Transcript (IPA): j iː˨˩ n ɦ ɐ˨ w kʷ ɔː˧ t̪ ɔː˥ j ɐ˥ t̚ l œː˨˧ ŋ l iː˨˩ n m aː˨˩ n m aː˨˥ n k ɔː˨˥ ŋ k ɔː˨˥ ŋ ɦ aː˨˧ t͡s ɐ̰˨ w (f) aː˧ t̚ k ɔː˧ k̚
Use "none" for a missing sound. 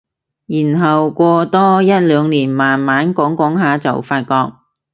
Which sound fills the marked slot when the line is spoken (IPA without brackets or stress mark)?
f